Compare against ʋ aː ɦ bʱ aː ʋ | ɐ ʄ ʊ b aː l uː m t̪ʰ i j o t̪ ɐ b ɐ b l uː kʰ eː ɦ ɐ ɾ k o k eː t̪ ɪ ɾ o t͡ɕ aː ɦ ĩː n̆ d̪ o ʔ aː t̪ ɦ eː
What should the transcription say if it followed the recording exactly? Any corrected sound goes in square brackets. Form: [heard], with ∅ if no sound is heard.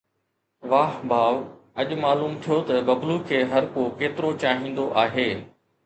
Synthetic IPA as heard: ʋ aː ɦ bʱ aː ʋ | ɐ ʄ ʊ [m] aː l uː m t̪ʰ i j o t̪ ɐ b ɐ b l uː kʰ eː ɦ ɐ ɾ k o k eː t̪ ɪ ɾ o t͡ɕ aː ɦ ĩː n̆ d̪ o ʔ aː [∅] ɦ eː

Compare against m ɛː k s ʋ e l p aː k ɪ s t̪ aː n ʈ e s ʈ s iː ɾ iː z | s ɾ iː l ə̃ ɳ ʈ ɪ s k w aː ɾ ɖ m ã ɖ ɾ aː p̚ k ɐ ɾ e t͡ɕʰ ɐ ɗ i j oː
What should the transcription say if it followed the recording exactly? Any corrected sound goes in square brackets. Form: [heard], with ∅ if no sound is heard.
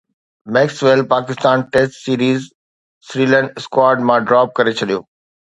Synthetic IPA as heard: m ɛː k s ʋ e l p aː k ɪ s t̪ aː n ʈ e s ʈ s iː ɾ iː z | s ɾ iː l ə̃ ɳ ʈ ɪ s k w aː ɾ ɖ m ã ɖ ɾ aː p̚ k ɐ ɾ e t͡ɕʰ ɐ ɗ i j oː

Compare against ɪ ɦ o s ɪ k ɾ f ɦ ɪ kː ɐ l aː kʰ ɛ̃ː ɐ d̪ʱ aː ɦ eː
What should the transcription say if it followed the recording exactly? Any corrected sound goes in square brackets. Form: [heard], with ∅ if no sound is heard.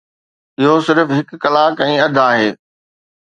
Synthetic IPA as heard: ɪ ɦ o s ɪ [∅] ɾ f ɦ ɪ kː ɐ l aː [k] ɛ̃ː ɐ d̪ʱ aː ɦ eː

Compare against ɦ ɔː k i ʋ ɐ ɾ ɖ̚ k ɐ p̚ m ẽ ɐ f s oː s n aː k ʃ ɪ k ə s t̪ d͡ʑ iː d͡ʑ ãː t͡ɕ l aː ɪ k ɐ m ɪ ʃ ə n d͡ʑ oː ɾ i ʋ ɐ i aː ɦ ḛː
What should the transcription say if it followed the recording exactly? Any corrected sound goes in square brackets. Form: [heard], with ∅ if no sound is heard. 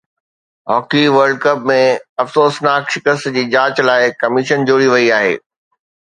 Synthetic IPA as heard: ɦ ɔː k i ʋ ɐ ɾ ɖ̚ k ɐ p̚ m ẽ ɐ f s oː s n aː k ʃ ɪ k ə s t̪ d͡ʑ iː d͡ʑ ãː t͡ɕ l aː ɪ k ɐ m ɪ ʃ ə n d͡ʑ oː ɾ i ʋ ɐ i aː ɦ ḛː

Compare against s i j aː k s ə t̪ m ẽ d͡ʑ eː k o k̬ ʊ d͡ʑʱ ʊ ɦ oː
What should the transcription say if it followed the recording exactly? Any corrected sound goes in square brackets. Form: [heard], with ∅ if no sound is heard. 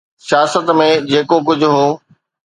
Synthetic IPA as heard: s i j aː [∅] s ə t̪ m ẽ d͡ʑ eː k o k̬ ʊ d͡ʑʱ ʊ ɦ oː

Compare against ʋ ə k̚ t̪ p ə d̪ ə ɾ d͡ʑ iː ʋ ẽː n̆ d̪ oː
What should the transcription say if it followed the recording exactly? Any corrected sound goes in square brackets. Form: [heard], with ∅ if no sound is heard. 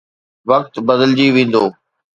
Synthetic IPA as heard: ʋ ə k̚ t̪ [b] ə d̪ ə [l] d͡ʑ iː ʋ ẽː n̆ d̪ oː

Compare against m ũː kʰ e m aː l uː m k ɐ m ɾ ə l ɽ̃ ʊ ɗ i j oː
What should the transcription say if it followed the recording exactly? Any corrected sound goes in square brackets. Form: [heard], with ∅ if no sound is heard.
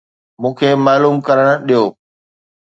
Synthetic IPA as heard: m ũː kʰ e m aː l uː m k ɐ [∅] ɾ ə [∅] ɽ̃ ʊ ɗ i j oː

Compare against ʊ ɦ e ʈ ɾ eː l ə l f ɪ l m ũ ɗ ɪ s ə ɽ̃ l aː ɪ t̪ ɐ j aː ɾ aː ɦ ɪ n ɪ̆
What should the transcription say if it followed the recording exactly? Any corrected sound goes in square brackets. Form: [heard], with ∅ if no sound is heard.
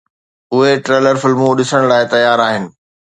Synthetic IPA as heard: ʊ ɦ e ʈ ɾ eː l ə [ɾ] f ɪ l m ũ ɗ ɪ s ə ɽ̃ l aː ɪ t̪ ɐ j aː ɾ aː ɦ ɪ n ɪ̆

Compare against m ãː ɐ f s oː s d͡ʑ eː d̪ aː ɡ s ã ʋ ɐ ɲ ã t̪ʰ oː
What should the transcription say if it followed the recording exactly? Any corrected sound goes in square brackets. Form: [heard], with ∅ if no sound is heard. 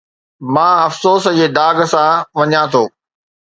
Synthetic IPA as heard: m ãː ɐ f s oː s d͡ʑ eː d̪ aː ɡ s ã ʋ ɐ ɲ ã t̪ʰ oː

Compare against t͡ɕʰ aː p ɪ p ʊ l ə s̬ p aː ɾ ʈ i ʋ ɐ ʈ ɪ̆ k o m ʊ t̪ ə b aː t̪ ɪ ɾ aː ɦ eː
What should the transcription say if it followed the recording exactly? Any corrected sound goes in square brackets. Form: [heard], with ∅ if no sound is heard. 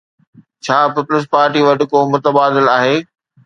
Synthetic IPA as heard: t͡ɕʰ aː p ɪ p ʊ l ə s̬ p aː ɾ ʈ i ʋ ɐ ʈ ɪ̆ k o m ʊ t̪ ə b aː [d̪] ɪ [l] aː ɦ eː

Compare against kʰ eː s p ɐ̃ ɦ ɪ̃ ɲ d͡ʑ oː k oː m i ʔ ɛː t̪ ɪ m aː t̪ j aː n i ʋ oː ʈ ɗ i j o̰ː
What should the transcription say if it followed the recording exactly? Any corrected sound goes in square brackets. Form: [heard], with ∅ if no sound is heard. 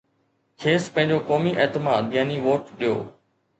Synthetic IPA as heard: kʰ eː s p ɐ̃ ɦ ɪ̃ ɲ d͡ʑ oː k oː m i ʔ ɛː t̪ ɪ m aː [d̪] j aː n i ʋ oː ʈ ɗ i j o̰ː

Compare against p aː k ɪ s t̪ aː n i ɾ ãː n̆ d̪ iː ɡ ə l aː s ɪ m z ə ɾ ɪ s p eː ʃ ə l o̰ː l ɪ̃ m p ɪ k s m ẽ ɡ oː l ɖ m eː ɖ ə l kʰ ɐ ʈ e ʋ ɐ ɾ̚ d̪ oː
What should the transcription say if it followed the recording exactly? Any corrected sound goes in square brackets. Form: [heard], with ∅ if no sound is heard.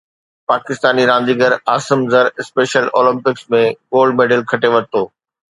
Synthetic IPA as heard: p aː k ɪ s t̪ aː n i ɾ ãː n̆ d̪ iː ɡ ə [ɾ] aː s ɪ m z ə ɾ ɪ s p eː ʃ ə l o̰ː l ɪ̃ m p ɪ k s m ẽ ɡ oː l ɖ m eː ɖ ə l kʰ ɐ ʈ e ʋ ɐ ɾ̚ [t̪] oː

